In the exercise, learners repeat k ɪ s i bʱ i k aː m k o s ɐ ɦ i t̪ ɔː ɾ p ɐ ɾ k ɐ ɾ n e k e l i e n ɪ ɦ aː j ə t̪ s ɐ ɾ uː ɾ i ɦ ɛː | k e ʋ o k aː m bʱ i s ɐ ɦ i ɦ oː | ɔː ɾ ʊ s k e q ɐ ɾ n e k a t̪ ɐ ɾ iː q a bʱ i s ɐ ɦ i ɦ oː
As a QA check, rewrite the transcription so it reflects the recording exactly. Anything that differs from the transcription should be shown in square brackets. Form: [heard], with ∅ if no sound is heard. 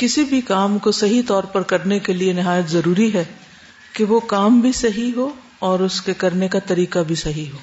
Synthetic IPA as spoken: k ɪ s i bʱ i k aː m k o s ɐ ɦ i t̪ ɔː ɾ p ɐ ɾ k ɐ ɾ n e k e l i e n ɪ ɦ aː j ə t̪ [z] ɐ ɾ uː ɾ i ɦ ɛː | k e ʋ o k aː m bʱ i s ɐ ɦ i ɦ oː | ɔː ɾ ʊ s k e [k] ɐ ɾ n e k a t̪ ɐ ɾ iː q a bʱ i s ɐ ɦ i ɦ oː